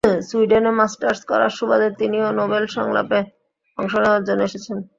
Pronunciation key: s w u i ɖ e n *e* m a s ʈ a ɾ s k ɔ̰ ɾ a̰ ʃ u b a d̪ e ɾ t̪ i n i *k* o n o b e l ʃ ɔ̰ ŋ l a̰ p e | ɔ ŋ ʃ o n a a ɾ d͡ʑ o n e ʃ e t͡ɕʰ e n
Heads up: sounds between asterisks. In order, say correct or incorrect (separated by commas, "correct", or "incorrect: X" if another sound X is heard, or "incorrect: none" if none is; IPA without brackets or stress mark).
correct, incorrect: none